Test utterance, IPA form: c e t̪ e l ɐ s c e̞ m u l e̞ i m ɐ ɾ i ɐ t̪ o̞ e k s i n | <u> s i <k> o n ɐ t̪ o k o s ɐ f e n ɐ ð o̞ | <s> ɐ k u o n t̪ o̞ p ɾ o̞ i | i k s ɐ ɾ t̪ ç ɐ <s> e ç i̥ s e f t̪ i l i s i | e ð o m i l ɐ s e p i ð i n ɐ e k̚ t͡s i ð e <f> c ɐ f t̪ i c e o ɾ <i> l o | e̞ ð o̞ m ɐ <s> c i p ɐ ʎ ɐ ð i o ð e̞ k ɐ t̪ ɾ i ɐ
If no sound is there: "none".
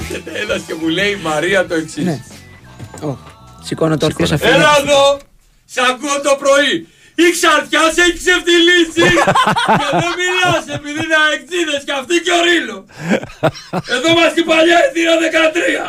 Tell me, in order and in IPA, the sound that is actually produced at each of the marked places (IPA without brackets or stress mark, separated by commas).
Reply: o, k, s, s, s, i, s